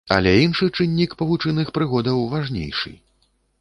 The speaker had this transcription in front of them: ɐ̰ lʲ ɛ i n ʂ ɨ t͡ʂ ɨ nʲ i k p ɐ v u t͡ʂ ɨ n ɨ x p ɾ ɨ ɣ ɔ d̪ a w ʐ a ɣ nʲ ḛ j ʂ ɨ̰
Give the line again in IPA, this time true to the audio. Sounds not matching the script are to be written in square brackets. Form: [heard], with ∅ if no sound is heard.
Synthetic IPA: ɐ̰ lʲ ɛ i n ʂ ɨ t͡ʂ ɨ [nʲː] i k p ɐ v u t͡ʂ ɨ n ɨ x p ɾ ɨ ɣ ɔ d̪ [ɐ] w [v] a [ʐ] nʲ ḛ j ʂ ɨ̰